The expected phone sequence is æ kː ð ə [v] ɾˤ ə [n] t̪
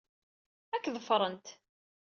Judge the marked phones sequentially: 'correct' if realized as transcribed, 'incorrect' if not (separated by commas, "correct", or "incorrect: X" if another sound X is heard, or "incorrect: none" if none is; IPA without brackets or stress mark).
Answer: incorrect: f, correct